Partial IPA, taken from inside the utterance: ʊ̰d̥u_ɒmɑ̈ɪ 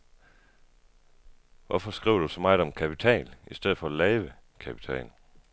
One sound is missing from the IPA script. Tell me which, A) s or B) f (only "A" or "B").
A